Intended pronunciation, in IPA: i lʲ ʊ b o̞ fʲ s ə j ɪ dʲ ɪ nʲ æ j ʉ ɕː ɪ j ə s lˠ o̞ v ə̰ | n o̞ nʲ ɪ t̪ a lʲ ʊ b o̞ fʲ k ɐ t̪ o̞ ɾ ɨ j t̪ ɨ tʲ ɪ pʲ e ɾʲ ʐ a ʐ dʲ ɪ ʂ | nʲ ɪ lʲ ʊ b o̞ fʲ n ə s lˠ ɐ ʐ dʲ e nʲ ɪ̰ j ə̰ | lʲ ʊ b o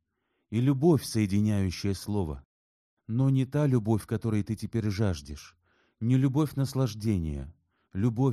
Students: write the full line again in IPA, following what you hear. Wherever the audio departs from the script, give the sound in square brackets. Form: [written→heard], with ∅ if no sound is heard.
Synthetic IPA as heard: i lʲ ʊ b o̞ fʲ s ə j ɪ dʲ ɪ nʲ æ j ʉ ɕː ɪ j ə s lˠ o̞ v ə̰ | n o̞ nʲ ɪ t̪ a lʲ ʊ b o̞ fʲ k ɐ t̪ o̞ ɾ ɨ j t̪ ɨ tʲ ɪ pʲ e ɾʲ ʐ a ʐ dʲ ɪ ʂ | nʲ ɪ lʲ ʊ b o̞ fʲ n ə s lˠ ɐ ʐ dʲ e nʲ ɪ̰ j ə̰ | lʲ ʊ b o